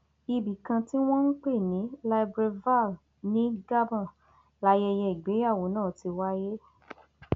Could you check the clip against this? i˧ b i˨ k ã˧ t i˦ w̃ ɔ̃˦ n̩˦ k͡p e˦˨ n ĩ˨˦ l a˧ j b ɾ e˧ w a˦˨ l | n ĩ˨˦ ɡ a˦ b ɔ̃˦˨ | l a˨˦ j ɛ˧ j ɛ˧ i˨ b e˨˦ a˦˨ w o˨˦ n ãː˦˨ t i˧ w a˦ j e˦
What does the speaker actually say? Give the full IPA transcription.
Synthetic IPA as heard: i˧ b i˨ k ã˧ t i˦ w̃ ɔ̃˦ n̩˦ k͡p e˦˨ n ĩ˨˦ l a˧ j b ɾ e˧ v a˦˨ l | n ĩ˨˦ ɡ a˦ b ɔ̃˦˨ | l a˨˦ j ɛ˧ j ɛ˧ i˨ ɡ͡b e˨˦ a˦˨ w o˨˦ n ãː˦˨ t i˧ w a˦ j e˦